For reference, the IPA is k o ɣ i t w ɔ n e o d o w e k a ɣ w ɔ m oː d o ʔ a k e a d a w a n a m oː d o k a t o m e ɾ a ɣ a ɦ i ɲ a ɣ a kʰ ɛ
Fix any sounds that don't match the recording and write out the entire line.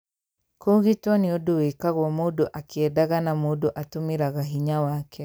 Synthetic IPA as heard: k o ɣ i t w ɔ n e o d o w e k a ɣ w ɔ m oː d o ʔ a k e ɛ d a ɣ a n a m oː d o ʔ a t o m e ɾ a ɣ a ɦ i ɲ a w a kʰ ɛ